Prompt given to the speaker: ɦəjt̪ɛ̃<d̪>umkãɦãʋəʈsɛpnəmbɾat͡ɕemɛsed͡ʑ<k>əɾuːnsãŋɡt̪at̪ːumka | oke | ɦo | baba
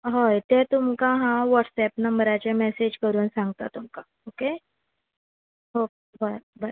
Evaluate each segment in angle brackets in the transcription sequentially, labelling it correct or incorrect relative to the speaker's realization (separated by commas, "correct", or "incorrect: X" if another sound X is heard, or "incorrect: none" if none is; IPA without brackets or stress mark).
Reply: incorrect: t̪, correct